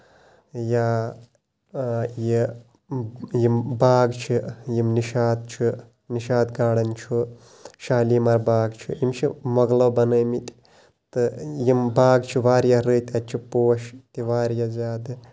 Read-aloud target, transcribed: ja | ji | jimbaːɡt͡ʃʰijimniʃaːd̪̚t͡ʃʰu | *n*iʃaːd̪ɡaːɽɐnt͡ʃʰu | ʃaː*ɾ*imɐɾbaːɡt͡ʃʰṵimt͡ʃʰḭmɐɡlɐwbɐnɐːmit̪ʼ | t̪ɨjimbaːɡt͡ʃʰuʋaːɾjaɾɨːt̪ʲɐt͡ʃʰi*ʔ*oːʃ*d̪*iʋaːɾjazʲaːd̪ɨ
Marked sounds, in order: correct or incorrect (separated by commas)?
correct, incorrect, incorrect, incorrect